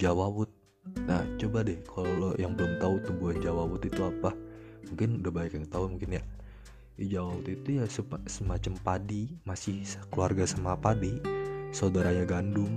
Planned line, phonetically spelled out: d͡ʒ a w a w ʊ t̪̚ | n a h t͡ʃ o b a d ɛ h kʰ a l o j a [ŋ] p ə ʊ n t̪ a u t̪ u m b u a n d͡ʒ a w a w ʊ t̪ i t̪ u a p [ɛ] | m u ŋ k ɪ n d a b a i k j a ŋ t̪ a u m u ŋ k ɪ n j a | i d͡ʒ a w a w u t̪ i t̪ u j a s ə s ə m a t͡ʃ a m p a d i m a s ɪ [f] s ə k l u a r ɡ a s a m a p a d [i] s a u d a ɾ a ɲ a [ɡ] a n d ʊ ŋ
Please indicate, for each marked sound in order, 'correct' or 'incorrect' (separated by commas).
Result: correct, incorrect, incorrect, correct, correct